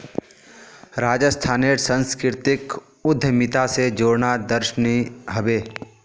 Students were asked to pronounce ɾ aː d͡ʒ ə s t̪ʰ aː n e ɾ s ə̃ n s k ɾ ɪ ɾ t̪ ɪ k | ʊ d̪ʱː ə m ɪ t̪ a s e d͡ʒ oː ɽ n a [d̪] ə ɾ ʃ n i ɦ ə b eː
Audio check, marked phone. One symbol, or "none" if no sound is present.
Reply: d̪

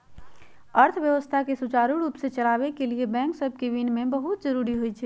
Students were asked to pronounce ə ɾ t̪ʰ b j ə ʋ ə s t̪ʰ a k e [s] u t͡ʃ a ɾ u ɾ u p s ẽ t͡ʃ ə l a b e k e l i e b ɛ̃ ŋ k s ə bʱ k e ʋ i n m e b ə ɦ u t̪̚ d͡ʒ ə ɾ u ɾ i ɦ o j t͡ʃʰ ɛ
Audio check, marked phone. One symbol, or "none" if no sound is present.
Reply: s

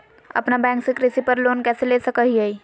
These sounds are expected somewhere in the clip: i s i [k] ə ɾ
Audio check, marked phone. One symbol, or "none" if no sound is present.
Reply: p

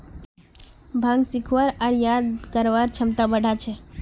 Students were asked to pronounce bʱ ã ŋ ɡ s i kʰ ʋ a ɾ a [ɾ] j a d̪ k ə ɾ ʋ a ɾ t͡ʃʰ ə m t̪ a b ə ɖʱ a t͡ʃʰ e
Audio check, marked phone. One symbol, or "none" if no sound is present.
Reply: ɾ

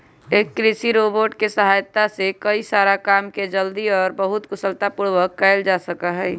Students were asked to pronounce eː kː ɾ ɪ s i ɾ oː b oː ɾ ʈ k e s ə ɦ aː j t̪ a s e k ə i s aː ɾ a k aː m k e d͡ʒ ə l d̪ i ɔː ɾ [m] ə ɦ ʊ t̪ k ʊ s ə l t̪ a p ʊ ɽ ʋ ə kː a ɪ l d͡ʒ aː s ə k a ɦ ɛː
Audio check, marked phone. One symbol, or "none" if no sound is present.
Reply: b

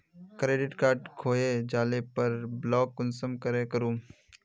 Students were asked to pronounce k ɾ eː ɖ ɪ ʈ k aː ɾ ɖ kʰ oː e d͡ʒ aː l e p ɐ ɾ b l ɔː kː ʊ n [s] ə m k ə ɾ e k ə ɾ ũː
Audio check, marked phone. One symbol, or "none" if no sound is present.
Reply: s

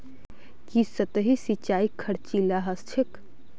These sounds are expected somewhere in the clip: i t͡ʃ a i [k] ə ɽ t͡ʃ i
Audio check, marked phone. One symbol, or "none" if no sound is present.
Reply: kʰ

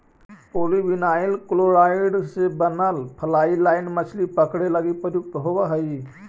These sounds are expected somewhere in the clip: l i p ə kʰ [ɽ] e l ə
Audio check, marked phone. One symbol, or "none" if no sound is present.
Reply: ɽ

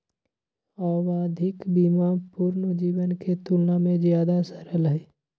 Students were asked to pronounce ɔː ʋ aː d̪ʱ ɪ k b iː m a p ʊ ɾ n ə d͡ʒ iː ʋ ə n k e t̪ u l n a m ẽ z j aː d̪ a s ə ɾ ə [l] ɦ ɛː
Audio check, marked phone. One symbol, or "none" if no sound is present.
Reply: l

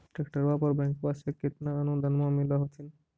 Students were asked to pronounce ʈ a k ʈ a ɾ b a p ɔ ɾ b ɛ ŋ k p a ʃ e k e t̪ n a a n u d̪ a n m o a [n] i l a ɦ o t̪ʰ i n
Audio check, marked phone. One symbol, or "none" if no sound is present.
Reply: m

